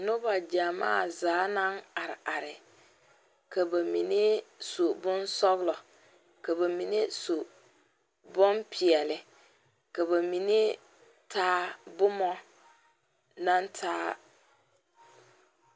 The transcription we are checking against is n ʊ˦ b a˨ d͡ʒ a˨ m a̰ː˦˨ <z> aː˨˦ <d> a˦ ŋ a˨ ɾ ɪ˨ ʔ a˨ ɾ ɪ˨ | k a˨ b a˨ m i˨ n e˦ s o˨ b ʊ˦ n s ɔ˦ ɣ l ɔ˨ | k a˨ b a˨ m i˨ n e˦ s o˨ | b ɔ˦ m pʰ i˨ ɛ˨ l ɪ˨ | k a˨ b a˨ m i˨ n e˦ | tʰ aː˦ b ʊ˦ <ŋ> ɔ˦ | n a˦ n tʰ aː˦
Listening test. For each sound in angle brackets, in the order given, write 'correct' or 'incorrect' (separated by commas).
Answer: correct, incorrect, incorrect